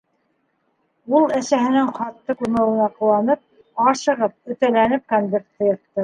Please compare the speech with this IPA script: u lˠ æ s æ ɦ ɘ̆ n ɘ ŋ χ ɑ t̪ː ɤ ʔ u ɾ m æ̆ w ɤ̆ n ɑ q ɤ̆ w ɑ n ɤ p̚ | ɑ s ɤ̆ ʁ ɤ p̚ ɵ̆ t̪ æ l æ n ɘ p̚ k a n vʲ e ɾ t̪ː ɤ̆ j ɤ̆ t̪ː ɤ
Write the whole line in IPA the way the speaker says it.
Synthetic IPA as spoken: u lˠ æ s æ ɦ ɘ̆ n ɘ ŋ χ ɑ t̪ː ɤ k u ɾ m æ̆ w ɤ̆ n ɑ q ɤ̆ w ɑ n ɤ p̚ | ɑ ʃ ɤ̆ ʁ ɤ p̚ ɵ̆ t̪ æ l æ n ɘ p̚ k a n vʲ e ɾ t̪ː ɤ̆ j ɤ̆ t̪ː ɤ